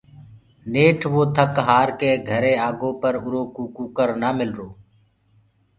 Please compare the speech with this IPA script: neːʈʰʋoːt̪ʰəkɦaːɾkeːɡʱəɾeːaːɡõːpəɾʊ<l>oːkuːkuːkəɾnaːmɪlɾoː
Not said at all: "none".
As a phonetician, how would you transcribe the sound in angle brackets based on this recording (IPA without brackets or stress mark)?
ɾ